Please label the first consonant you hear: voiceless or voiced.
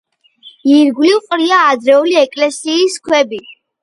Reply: voiced